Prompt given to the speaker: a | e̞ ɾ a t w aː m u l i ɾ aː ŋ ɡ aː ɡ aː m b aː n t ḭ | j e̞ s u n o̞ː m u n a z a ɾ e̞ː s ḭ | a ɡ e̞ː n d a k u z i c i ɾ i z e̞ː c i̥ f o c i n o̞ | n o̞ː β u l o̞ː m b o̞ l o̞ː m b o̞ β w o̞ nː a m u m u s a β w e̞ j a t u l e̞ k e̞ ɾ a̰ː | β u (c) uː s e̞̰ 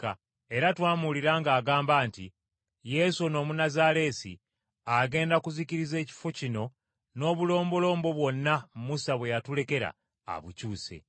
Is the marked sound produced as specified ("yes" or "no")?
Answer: yes